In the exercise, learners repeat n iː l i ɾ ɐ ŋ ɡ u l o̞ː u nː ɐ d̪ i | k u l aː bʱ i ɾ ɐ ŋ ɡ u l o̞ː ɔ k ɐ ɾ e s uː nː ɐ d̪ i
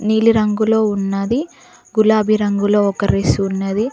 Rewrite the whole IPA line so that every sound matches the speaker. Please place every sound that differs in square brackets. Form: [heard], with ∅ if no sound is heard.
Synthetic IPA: n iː l i ɾ ɐ ŋ ɡ u l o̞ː u nː ɐ d̪ i | [ɡ] u l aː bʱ i ɾ ɐ ŋ ɡ u l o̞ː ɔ k ɐ ɾ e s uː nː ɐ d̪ i